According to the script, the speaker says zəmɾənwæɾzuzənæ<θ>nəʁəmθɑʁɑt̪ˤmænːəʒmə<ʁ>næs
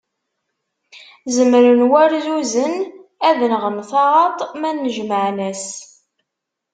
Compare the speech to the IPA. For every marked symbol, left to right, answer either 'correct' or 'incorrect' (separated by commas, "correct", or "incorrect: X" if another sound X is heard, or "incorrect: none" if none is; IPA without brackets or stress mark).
incorrect: ð, incorrect: ʕ